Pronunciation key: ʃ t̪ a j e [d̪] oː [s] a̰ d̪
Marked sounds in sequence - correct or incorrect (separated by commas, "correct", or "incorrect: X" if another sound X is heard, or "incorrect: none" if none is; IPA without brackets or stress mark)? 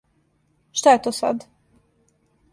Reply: incorrect: t̪, correct